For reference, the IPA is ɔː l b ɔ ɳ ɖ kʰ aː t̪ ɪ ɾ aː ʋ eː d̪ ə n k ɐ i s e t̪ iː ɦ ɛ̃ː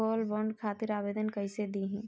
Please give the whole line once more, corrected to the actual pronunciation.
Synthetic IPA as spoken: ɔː l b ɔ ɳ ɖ kʰ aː t̪ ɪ ɾ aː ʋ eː d̪ ə n k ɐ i s e d̪ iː ɦ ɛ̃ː